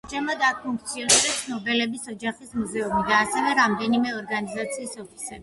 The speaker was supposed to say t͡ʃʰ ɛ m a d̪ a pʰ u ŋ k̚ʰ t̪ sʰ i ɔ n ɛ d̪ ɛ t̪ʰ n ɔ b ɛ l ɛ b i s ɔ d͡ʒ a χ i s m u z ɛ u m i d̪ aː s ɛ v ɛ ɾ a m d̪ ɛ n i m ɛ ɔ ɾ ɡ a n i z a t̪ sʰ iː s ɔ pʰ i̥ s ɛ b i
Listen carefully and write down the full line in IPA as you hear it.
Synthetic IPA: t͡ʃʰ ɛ m a d̪ a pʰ u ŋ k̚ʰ t̪ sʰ i ɔ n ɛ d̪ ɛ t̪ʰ n ɔ b ɛ l ɛ b i s ɔ d͡ʒ a χ i s m u z ɛ u m i d̪ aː s ɛ v ɛ ɾ a m d̪ ɛ n i m ɛ ɔ ɾ ɡ a n i z a t̪ sʰ iː s ɔ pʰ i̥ s ɛ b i